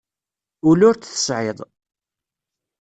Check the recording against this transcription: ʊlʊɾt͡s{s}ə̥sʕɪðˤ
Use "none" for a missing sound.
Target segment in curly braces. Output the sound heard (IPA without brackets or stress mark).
θ